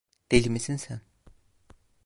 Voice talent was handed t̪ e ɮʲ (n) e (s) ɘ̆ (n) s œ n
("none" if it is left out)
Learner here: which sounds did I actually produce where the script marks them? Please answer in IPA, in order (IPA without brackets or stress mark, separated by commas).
m, s, n